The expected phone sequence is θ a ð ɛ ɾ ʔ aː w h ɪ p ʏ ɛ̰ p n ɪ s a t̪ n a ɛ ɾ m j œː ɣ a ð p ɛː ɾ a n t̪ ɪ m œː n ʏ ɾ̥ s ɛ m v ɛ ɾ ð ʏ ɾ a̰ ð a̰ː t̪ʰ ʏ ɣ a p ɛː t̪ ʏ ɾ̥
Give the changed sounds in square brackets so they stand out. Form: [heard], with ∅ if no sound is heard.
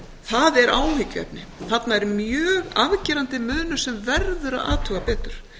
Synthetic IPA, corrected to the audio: θ a ð ɛ ɾ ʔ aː w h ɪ [c] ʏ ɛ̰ p n ɪ [θ] a t̪ n a ɛ ɾ m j œː ɣ a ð [c] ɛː ɾ a n t̪ ɪ m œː n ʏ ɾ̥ s ɛ m v ɛ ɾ ð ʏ ɾ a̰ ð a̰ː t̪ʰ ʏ ɣ a p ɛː t̪ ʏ ɾ̥